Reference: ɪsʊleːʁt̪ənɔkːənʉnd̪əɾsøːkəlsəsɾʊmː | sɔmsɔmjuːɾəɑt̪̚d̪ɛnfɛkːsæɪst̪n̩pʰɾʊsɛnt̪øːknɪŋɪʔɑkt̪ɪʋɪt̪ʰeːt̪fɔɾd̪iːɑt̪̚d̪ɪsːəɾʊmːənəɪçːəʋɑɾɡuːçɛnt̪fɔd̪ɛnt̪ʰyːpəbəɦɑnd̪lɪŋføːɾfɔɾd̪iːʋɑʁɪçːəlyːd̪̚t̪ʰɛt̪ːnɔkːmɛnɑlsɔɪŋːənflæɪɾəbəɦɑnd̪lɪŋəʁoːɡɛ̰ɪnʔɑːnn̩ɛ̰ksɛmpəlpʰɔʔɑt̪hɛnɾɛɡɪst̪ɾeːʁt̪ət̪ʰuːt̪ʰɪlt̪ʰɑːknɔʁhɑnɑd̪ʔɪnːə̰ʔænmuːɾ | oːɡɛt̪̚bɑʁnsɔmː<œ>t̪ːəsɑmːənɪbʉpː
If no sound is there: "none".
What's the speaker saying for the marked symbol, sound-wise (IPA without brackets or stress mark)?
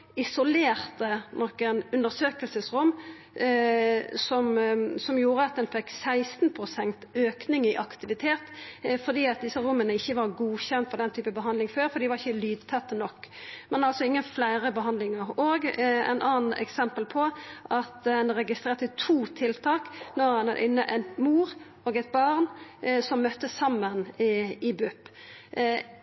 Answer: œ